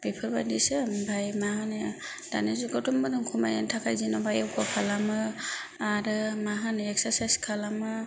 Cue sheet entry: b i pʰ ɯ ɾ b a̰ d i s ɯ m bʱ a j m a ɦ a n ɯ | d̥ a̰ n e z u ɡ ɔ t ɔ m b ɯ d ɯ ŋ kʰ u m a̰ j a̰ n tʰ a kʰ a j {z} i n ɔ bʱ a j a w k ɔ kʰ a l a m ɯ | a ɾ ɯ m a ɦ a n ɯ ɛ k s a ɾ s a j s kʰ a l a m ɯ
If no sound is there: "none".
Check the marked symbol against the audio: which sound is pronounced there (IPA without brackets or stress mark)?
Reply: z